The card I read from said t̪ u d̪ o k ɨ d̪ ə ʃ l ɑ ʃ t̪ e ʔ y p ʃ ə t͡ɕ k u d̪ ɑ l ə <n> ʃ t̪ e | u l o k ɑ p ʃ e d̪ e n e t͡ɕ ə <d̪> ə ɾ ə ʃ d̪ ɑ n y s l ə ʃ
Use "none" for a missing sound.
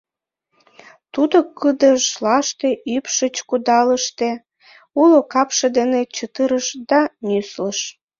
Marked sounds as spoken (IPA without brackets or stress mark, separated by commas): none, t̪